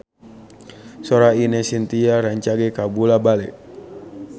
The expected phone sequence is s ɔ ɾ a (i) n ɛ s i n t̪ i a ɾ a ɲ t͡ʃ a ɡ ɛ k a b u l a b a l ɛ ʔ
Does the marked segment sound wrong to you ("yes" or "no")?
no